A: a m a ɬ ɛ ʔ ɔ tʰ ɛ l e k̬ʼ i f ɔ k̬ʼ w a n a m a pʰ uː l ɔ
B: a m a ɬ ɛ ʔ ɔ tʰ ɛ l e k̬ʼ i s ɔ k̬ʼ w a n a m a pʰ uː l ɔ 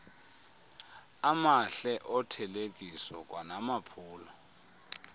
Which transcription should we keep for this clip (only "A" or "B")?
B